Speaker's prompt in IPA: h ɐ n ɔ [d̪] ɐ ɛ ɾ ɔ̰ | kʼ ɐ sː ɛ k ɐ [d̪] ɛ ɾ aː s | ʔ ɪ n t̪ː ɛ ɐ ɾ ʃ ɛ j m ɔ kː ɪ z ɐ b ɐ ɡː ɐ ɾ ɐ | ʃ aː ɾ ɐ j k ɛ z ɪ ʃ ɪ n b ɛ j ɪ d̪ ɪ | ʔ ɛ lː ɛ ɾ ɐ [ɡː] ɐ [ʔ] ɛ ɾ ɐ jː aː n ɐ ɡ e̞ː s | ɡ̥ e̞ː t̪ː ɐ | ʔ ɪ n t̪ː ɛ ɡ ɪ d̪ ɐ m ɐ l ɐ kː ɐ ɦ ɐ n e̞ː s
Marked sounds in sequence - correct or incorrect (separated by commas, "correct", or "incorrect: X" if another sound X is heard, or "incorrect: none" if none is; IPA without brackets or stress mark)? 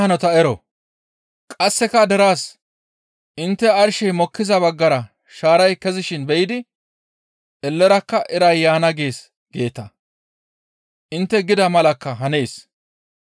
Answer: incorrect: t̪, correct, incorrect: kː, correct